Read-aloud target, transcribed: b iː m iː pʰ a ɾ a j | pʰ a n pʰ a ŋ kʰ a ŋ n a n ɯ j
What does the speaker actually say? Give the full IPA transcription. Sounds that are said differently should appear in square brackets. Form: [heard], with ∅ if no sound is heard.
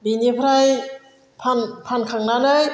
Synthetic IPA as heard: b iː [n] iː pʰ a ɾ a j | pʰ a n pʰ a [n] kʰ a ŋ n a n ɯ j